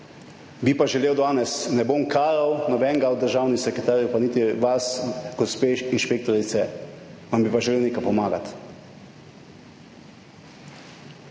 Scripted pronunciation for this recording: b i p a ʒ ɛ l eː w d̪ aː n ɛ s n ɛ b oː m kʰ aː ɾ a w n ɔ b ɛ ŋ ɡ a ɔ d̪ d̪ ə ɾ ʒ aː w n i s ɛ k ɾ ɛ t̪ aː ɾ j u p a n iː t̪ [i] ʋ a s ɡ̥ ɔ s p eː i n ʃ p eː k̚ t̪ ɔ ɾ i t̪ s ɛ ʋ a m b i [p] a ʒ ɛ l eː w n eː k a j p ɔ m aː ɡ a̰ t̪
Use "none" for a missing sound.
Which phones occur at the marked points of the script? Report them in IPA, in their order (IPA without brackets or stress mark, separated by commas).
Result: i, p